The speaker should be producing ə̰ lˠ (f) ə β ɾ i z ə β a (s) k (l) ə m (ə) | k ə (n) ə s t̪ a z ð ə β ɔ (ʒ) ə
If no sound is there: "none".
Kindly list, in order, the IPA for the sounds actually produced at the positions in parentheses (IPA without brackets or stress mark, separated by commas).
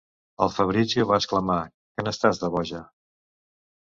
f, s, l, a, n, ʒ